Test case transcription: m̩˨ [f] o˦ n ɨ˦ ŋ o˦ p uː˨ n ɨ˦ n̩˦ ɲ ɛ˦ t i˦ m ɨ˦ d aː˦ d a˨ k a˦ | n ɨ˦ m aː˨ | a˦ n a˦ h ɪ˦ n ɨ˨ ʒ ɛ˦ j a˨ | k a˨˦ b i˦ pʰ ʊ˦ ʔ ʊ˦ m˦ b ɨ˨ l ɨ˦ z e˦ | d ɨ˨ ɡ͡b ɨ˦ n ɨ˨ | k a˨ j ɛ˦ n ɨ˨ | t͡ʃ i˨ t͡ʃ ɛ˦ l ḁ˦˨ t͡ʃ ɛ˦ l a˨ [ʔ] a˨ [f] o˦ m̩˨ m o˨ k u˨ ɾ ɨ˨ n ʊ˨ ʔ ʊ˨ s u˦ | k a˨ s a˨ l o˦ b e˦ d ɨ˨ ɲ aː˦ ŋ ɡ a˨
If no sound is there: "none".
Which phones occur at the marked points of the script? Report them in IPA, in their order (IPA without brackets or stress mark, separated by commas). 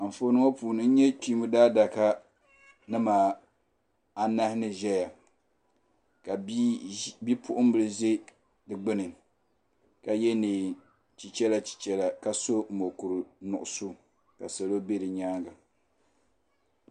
f, k, s